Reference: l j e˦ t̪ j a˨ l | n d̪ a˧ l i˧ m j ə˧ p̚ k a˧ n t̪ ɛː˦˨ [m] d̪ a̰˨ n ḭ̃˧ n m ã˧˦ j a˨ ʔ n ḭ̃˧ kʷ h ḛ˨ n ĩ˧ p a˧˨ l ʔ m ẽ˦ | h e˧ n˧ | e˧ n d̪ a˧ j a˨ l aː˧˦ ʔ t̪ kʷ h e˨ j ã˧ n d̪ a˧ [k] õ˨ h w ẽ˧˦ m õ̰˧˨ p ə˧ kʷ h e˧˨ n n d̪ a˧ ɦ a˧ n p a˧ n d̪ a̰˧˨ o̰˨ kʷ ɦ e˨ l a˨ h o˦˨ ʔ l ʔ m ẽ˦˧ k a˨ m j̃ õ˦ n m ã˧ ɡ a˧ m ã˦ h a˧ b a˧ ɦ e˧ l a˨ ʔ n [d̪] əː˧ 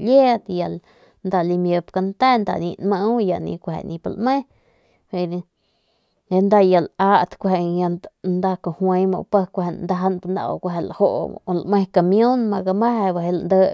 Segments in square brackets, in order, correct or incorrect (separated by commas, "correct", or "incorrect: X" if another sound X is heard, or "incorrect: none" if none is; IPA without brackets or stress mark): incorrect: n, correct, correct